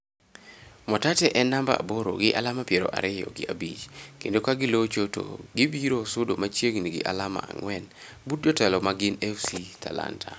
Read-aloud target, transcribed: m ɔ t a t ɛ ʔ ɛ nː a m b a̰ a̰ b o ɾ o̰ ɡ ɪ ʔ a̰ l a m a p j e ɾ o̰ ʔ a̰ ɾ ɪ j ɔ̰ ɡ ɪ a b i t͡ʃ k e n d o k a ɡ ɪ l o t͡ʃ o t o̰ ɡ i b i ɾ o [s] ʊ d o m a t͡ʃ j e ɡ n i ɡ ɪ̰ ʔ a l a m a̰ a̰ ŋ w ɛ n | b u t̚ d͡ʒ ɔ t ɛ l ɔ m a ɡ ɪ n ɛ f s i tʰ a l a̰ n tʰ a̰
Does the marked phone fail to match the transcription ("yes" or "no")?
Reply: no